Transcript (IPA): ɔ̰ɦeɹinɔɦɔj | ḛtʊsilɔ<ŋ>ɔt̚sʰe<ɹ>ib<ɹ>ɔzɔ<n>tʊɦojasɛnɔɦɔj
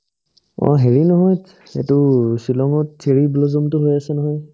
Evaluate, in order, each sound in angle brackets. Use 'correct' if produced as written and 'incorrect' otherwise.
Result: correct, correct, incorrect: l, incorrect: m

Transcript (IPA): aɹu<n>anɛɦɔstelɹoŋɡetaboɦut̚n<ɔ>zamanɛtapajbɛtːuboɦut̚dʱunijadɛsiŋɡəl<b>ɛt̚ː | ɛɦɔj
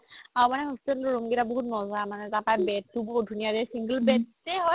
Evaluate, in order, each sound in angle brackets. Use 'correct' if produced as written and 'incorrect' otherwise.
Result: incorrect: m, correct, correct

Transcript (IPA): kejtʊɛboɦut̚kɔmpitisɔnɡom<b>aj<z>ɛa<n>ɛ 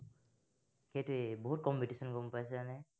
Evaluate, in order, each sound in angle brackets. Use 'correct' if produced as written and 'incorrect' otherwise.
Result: incorrect: p, incorrect: s, correct

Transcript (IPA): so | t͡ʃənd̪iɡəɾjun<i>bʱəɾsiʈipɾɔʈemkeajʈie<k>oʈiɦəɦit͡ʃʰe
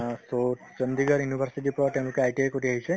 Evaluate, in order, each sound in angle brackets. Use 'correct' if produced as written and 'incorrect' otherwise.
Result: correct, correct

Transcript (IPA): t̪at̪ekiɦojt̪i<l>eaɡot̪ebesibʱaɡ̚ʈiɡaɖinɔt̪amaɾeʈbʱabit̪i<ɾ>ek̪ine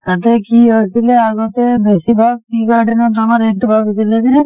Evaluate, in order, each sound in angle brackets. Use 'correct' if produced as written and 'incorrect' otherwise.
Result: correct, incorrect: l

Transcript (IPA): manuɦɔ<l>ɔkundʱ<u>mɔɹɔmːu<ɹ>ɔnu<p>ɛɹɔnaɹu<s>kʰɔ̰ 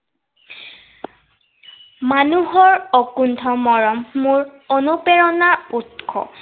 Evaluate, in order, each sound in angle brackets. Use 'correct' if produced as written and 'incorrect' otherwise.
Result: incorrect: ɹ, incorrect: ɔ, correct, correct, incorrect: t

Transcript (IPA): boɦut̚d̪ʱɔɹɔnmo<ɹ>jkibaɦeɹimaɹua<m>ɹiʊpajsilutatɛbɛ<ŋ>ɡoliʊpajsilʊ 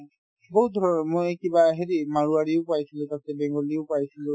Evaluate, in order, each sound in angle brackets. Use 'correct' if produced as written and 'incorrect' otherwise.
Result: incorrect: none, incorrect: none, correct

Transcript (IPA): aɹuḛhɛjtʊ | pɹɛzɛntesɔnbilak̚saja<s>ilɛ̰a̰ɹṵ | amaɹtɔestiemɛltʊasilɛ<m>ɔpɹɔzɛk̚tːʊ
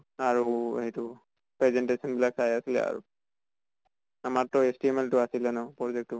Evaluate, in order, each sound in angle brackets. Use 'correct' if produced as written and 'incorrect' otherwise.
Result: correct, incorrect: n

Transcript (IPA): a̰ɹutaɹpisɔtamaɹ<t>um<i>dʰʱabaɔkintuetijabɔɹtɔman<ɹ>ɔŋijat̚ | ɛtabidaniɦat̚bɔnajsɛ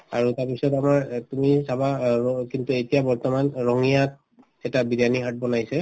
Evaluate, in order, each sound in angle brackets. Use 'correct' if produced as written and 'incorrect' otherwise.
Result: correct, correct, correct

